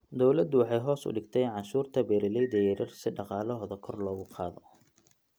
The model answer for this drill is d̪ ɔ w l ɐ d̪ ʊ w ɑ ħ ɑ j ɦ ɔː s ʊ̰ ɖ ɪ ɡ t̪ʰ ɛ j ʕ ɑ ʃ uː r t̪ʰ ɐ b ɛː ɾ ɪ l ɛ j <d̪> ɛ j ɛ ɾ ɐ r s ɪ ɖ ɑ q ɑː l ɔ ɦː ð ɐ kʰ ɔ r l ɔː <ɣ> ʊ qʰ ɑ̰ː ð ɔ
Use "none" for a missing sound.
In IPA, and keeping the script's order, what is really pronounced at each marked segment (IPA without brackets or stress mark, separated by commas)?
d̪, ɣ